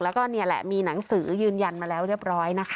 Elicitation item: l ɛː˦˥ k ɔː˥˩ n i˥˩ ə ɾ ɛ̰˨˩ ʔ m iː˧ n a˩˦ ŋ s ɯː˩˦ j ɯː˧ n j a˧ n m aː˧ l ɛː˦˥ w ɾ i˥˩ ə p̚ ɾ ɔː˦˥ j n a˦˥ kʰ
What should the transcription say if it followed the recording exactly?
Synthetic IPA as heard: l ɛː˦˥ k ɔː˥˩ n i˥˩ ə l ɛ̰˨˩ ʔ m iː˧ n a˩˦ ŋ s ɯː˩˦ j ɯː˧ n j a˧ n m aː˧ l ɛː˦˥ w ɾ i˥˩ ə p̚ ɾ ɔː˦˥ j n a˦˥ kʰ

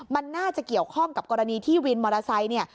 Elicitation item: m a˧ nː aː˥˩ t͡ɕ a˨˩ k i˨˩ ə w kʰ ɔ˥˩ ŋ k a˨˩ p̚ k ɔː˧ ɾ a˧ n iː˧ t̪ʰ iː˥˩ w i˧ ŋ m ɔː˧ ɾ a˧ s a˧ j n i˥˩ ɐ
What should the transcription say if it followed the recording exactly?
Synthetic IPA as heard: m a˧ nː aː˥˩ t͡ɕ a˨˩ k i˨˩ ə w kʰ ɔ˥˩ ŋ k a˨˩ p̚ k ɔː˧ ɾ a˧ n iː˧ t̪ʰ iː˥˩ w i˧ n m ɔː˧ ɾ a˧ s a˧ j n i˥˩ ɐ

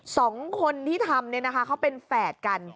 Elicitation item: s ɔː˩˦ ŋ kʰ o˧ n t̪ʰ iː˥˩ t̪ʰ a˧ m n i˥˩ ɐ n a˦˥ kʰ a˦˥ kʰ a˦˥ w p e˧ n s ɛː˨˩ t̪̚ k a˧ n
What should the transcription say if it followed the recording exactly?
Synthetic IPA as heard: s ɔː˩˦ ŋ kʰ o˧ n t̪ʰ iː˥˩ t̪ʰ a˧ m n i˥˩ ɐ n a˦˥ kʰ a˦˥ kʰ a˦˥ w p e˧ n f ɛː˨˩ t̪̚ k a˧ n

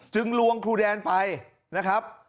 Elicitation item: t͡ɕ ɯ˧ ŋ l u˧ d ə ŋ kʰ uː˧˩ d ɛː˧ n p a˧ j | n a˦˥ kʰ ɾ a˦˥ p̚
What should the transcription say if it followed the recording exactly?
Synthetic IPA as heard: t͡ɕ ɯ˧ ŋ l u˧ ə ŋ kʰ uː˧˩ d ɛː˧ n p a˧ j | n a˦˥ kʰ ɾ a˦˥ p̚

